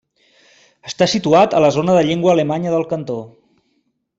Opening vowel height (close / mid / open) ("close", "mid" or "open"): mid